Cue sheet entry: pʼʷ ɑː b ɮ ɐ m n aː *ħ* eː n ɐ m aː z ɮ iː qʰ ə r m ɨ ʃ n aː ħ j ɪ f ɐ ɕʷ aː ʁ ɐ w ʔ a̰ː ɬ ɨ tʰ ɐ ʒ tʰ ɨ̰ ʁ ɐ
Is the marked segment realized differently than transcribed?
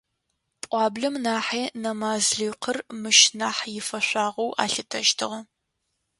no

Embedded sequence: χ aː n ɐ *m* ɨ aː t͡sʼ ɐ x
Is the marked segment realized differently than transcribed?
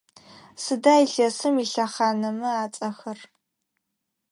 no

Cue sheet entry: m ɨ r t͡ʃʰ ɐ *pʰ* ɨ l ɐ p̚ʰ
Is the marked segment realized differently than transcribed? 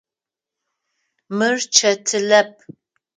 yes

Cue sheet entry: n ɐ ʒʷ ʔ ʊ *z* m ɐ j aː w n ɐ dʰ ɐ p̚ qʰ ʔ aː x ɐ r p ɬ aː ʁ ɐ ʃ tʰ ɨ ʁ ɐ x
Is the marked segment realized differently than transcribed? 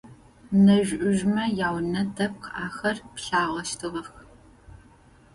yes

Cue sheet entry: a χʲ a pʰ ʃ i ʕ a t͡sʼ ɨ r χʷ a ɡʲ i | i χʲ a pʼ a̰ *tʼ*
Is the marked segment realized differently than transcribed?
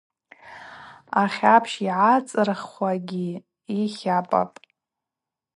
yes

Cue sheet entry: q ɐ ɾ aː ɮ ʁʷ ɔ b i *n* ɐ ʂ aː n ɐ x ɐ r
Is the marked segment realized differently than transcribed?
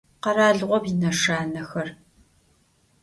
no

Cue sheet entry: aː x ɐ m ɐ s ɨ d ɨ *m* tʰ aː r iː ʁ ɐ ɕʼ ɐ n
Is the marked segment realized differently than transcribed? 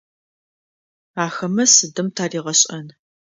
no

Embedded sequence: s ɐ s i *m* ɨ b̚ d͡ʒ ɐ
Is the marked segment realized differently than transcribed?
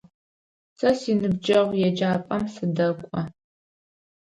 yes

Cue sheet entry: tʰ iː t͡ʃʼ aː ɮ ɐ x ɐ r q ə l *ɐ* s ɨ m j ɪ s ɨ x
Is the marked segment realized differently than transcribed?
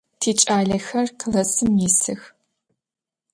no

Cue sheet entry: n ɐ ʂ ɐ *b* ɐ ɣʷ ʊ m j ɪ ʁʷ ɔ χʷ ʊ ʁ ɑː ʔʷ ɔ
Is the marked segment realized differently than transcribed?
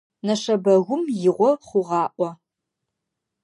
no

